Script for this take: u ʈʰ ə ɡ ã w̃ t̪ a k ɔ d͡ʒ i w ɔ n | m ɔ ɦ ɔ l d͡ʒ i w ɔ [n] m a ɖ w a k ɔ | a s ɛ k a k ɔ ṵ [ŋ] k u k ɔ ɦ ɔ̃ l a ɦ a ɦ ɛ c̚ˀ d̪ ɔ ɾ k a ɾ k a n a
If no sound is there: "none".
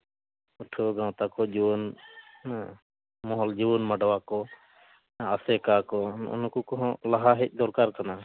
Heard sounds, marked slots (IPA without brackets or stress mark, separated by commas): n, n